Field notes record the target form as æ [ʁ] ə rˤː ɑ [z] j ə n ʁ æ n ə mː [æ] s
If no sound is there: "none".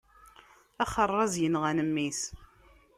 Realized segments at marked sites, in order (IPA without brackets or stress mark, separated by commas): χ, z, i